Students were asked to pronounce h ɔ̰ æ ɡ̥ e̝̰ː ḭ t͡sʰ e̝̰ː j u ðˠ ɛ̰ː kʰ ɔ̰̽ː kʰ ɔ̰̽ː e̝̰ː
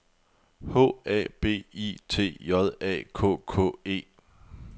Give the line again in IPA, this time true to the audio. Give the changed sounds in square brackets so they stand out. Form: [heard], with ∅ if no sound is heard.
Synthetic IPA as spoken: h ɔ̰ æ [b̥] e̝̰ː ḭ t͡sʰ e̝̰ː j [ɒ] ðˠ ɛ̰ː kʰ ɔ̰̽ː kʰ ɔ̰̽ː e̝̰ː